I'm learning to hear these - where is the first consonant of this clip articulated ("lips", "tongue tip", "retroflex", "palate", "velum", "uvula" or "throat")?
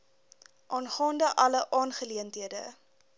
throat